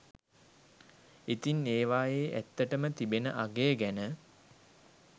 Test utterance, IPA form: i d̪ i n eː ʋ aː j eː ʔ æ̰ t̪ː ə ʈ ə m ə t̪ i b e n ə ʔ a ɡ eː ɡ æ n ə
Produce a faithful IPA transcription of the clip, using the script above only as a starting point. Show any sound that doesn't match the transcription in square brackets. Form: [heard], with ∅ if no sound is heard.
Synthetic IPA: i [t̪] i n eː ʋ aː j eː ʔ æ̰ t̪ː ə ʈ ə m ə t̪ i b e n ə ʔ a ɡ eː ɡ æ n ə